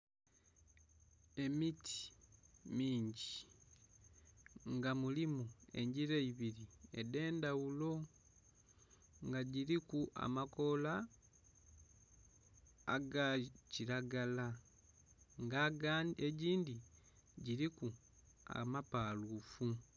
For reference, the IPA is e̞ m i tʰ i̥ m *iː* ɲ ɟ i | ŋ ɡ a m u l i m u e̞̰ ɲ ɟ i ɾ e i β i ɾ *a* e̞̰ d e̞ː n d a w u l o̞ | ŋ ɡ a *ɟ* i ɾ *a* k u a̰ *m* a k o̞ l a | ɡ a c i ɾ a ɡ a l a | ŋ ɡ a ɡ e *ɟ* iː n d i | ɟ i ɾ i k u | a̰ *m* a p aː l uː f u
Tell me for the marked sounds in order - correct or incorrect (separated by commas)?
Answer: correct, incorrect, correct, incorrect, correct, correct, correct